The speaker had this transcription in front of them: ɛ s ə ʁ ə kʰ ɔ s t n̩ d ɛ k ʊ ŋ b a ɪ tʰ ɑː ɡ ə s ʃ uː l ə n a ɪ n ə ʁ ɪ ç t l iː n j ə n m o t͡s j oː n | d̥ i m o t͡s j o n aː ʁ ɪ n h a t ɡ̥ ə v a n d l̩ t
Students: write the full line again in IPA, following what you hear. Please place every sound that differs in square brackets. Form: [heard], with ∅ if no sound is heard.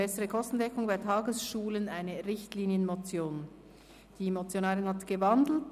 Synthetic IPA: ɛ s ə ʁ ə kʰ ɔ s t n̩ d ɛ k ʊ ŋ b a ɪ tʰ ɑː ɡ ə s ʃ uː l ə n a ɪ n ə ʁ ɪ ç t l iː n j ə n m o t͡s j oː n | d̥ i m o t͡s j o n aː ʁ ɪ n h a t ɡ̥ ə v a n d l̩ t